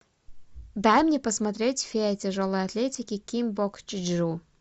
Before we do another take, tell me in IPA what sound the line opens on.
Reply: d̪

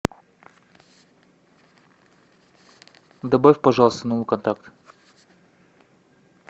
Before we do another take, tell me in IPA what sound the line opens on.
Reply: d̪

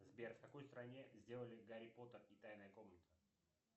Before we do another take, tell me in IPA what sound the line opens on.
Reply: z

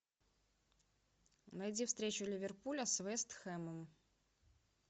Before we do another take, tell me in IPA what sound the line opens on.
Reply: n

